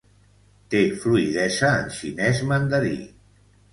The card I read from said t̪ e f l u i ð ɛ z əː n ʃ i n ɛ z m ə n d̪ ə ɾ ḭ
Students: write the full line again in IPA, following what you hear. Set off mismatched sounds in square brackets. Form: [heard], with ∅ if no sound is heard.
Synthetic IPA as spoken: t̪ e f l u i ð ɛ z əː n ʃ i n ɛ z m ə n d̪ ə ɾ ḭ